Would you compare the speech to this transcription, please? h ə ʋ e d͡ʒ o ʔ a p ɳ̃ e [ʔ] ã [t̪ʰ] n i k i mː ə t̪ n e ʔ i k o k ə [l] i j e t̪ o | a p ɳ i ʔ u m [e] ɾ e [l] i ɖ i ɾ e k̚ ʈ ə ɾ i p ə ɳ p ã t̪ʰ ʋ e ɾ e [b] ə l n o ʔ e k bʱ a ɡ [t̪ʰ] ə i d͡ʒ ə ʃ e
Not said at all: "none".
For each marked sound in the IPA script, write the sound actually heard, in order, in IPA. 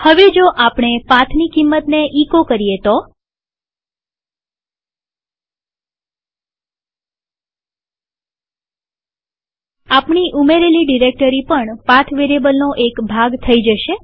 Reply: p, t̪ʰ, ɾ, e, l, b, t̪ʰ

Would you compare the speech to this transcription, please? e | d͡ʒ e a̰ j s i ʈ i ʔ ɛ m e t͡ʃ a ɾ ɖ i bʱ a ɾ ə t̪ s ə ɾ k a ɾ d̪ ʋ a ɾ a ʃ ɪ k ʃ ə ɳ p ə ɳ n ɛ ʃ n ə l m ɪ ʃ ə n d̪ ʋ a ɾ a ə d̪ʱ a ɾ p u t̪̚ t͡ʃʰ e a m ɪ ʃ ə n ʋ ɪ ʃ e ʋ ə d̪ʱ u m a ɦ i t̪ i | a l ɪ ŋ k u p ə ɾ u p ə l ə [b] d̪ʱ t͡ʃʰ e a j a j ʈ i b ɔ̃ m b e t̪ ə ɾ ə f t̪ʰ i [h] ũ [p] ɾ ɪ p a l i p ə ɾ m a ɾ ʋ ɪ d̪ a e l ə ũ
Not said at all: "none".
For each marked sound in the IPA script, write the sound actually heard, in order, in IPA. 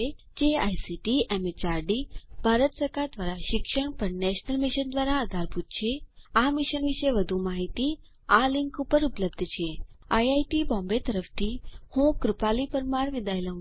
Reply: b, h, k

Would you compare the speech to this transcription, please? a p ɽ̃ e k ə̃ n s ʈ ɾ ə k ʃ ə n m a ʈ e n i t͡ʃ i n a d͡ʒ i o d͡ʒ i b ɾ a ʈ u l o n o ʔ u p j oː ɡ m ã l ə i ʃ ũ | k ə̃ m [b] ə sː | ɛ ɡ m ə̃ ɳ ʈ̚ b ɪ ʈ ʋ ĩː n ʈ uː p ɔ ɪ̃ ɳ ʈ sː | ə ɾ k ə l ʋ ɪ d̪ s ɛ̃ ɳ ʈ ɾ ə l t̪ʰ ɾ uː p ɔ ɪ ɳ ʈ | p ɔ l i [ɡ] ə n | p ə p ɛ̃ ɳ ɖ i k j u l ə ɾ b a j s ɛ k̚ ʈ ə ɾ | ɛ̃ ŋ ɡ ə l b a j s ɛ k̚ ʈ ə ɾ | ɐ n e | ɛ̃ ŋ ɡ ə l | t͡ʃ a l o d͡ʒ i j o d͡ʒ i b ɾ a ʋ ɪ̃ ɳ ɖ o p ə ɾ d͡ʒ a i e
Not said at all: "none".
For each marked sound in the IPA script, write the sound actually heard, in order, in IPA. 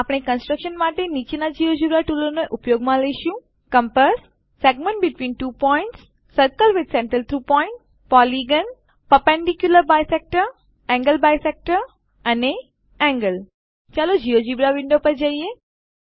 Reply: p, ɡ

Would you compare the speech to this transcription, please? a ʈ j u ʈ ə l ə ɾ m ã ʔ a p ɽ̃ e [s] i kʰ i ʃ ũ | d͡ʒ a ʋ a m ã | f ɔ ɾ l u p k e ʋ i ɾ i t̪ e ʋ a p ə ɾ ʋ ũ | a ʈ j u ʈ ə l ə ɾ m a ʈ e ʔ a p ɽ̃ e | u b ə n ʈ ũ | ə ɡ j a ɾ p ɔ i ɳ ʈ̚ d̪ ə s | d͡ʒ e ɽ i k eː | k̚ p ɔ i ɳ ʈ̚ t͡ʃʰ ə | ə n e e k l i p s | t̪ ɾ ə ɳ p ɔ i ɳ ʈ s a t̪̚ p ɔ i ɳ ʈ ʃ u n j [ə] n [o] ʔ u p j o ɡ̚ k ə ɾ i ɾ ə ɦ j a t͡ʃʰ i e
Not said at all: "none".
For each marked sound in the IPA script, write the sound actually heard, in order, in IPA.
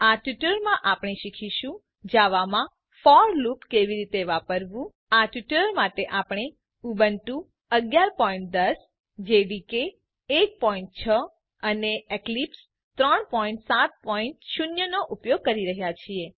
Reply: ʃ, ə, o

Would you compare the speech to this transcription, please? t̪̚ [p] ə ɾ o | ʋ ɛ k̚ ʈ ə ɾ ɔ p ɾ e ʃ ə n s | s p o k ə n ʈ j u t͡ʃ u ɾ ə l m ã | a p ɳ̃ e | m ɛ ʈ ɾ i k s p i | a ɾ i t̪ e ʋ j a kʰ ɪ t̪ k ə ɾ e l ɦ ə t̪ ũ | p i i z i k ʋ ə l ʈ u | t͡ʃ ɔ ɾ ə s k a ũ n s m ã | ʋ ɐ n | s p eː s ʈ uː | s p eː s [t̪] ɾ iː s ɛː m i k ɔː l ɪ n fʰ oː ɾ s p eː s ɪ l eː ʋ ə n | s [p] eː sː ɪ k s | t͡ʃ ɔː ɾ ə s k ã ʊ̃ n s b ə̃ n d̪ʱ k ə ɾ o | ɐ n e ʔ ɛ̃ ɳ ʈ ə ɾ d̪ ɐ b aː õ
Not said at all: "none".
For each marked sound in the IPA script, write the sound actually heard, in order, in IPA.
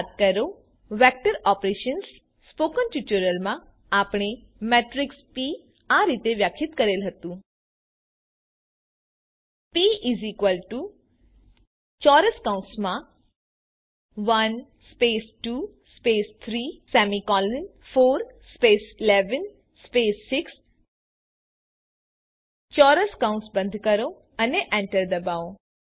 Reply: k, t̪ʰ, p

